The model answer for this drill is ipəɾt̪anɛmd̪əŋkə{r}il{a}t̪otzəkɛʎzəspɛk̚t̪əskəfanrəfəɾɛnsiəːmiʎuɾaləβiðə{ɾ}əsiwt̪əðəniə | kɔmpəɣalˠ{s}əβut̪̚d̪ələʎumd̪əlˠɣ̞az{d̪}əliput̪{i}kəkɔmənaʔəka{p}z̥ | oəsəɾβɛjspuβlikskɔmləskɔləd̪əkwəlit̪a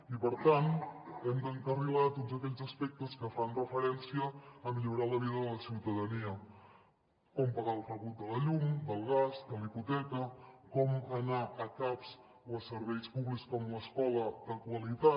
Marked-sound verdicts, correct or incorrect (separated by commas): correct, correct, incorrect, incorrect, correct, incorrect, correct